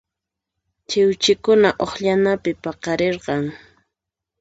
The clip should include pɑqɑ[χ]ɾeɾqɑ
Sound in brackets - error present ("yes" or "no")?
yes